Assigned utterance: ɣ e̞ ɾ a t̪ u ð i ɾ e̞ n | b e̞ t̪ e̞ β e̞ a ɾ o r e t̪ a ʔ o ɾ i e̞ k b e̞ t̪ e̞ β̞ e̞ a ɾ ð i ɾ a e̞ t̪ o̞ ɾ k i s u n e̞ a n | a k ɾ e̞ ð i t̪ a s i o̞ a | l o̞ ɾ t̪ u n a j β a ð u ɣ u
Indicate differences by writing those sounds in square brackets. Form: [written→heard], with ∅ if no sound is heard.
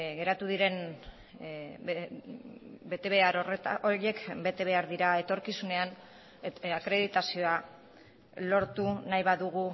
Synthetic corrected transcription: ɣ e̞ ɾ a t̪ u ð i ɾ e̞ n | b e̞ t̪ e̞ β e̞ a ɾ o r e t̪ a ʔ o ɾ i e̞ k b e̞ t̪ e̞ β̞ e̞ a ɾ ð i ɾ a e̞ t̪ o̞ ɾ k i s u n e̞ a n | a k ɾ e̞ ð i t̪ a s i o̞ a | l o̞ ɾ t̪ u n a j β a ð u ɣ u

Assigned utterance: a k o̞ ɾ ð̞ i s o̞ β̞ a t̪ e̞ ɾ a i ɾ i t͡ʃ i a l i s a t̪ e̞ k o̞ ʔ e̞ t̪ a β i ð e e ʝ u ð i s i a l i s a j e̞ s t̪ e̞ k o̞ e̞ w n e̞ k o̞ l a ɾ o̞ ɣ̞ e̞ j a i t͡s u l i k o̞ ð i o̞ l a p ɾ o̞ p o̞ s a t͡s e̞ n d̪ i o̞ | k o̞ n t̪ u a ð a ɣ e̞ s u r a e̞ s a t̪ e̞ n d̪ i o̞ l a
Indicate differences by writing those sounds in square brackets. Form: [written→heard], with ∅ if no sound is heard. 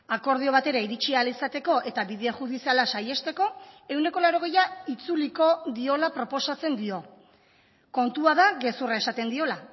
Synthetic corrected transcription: a k o̞ ɾ ð̞ i [s→∅] o̞ β̞ a t̪ e̞ ɾ a i ɾ i t͡ʃ i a l i s a t̪ e̞ k o̞ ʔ e̞ t̪ a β i ð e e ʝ u ð i s i a l [i→a] s a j e̞ s t̪ e̞ k o̞ e̞ w n e̞ k o̞ l a ɾ o̞ ɣ̞ e̞ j a i t͡s u l i k o̞ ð i o̞ l a p ɾ o̞ p o̞ s a t͡s e̞ n d̪ i o̞ | k o̞ n t̪ u a ð a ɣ e̞ s u r a e̞ s a t̪ e̞ n d̪ i o̞ l a

